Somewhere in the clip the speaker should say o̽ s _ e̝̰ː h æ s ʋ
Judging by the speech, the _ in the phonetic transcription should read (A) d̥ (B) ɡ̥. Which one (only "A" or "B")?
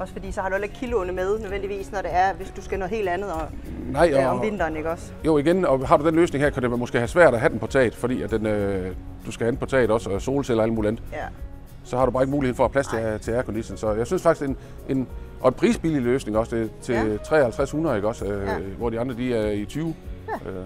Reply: B